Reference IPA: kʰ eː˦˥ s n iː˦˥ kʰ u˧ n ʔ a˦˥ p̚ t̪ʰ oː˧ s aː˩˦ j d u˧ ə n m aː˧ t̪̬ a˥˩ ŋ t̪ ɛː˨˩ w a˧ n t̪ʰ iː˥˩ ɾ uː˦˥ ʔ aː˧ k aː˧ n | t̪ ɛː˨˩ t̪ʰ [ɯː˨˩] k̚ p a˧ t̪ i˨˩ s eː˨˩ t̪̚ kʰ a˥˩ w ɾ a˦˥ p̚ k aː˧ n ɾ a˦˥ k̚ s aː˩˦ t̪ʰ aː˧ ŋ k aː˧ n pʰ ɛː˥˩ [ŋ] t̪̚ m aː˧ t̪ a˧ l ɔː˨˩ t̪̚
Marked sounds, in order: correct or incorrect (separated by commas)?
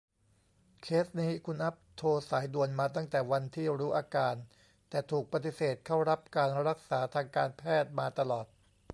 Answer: incorrect, incorrect